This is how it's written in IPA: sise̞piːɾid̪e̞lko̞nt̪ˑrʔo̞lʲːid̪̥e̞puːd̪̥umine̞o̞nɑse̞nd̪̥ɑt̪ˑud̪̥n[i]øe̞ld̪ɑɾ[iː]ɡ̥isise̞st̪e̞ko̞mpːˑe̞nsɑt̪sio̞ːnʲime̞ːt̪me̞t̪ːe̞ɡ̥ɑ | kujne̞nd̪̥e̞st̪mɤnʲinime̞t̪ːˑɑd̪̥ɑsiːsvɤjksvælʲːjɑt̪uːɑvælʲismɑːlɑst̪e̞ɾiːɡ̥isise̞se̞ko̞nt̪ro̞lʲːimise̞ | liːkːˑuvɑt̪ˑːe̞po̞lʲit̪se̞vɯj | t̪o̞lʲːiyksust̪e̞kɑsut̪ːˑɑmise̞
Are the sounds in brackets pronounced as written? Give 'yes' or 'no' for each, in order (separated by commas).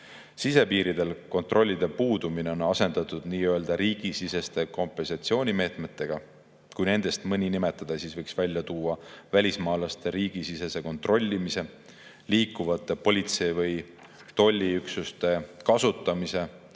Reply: no, yes